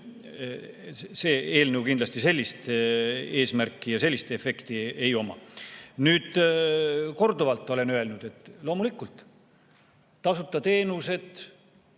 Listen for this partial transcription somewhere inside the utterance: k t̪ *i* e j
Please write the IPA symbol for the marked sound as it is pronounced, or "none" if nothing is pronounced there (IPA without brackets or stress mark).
i